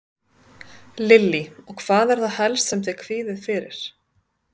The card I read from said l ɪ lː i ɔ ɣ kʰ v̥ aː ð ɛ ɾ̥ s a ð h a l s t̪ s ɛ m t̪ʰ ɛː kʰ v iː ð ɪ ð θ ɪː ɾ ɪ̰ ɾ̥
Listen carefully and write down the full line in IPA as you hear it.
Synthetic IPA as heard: l ɪ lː i ɔ ɣ kʰ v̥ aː ð ɛ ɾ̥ θ a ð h ɛ l s t̪ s ɛ m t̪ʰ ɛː kʰ v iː ð ɪ ð f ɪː ɾ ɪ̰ ɾ̥